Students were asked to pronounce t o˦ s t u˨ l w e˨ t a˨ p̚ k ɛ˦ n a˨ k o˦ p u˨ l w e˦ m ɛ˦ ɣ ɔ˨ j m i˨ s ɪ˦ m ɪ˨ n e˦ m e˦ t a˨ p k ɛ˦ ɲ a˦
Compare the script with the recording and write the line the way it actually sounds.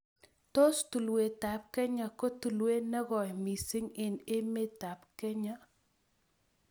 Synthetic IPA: t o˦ s t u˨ l w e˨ t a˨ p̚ k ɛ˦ ɲ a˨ k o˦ t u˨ l w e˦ n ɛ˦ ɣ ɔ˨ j m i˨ s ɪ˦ ŋ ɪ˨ n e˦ m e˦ t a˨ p k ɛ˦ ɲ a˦

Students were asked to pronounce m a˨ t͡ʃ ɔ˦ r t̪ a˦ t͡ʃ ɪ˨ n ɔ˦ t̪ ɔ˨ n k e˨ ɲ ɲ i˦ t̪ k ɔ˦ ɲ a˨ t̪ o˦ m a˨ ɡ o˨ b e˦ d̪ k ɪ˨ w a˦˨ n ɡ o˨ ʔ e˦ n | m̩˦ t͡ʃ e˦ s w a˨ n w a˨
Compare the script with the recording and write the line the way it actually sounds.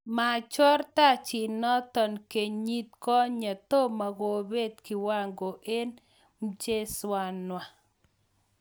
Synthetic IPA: m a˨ t͡ʃ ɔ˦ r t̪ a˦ t͡ʃ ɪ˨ n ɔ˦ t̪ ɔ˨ n k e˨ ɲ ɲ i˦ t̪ k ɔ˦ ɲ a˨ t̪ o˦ m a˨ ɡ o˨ b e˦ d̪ k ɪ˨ w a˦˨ ŋ ɡ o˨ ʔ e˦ n | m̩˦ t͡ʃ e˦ s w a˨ n w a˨

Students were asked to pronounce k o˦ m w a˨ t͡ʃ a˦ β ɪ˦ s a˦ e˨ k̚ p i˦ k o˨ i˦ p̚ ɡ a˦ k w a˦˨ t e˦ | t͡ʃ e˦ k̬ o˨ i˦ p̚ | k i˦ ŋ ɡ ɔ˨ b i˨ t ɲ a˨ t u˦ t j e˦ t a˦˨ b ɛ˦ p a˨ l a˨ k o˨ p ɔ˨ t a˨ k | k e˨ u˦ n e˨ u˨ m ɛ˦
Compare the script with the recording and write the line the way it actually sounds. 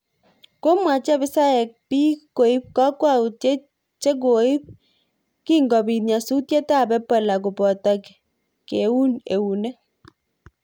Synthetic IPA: k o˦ m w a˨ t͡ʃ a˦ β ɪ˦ s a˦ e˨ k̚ p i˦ k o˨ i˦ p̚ k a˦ k w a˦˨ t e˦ | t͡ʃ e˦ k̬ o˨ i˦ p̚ | k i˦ ŋ ɡ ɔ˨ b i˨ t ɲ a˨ s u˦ t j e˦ t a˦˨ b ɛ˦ p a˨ l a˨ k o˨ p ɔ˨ t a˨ k | k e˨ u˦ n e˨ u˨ n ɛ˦

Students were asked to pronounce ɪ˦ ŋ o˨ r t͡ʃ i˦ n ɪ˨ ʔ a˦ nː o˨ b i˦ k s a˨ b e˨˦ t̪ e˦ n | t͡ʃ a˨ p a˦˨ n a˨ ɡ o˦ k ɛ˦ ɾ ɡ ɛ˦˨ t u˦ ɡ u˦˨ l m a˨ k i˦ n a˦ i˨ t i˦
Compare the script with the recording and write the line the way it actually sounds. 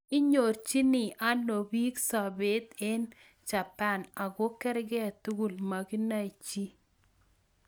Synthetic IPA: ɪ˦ ɲ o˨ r t͡ʃ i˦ n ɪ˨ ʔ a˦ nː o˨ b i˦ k s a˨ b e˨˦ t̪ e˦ n | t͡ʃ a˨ p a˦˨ n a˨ ɡ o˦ k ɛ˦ ɾ ɡ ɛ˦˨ t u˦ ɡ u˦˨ l m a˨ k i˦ n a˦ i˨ t͡ʃ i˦

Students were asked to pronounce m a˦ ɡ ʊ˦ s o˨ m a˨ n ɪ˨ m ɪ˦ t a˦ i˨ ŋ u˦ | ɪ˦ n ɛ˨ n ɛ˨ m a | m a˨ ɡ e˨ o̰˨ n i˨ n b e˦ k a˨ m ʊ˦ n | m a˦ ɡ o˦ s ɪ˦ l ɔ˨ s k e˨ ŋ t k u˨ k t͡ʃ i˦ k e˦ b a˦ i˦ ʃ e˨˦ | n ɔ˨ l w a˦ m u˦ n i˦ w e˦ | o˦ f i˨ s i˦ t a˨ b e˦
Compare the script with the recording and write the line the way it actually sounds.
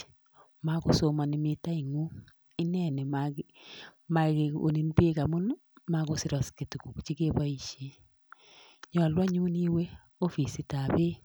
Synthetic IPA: m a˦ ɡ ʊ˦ s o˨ m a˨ n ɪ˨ m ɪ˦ t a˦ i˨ ŋ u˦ | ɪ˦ n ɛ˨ n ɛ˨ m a | m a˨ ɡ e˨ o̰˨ n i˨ n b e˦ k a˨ m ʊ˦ n | m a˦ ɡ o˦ s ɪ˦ ɾ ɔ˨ s k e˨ t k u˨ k t͡ʃ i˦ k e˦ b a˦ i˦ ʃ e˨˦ | ɲ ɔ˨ l w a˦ ɲ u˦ n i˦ w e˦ | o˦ f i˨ s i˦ t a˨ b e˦

